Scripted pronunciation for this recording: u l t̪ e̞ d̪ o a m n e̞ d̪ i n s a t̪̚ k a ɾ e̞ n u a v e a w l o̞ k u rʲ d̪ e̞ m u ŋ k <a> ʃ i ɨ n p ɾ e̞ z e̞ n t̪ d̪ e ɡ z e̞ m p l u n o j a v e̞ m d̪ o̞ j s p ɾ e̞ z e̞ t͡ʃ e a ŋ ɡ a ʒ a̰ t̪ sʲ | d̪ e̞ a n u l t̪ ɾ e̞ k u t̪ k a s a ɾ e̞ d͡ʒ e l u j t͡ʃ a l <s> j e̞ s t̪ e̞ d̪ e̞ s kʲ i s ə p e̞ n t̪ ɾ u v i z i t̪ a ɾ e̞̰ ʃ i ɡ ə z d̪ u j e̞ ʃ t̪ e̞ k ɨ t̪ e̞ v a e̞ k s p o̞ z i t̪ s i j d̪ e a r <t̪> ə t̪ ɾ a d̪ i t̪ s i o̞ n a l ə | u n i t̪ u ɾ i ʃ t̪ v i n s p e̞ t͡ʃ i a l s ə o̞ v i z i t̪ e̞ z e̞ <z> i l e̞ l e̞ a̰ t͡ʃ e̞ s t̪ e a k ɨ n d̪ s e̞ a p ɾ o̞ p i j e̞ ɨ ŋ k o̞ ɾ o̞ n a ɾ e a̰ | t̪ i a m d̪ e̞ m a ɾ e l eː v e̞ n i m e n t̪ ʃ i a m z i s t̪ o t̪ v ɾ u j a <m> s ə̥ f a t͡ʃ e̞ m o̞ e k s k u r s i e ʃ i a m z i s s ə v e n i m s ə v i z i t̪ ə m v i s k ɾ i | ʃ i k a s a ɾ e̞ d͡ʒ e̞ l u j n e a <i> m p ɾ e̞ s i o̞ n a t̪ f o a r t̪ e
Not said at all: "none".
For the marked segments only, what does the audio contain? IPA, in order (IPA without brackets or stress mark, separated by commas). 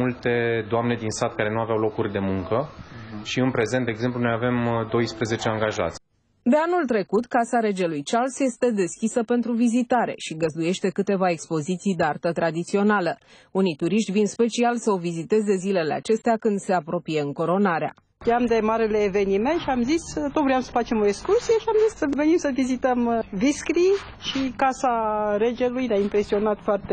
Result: ə, s, t̪, z, m, i